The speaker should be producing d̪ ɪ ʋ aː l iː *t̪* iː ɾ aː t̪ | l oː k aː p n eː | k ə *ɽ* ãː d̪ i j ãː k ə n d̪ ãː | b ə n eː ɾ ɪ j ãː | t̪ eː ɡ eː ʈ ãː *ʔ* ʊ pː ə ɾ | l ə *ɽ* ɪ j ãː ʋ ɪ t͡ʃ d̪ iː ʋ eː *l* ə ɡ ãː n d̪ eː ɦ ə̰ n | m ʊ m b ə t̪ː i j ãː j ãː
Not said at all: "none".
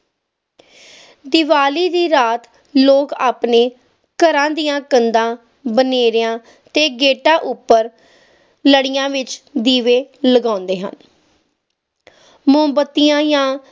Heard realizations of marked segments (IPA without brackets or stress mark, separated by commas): d̪, ɾ, ʔ, ɽ, l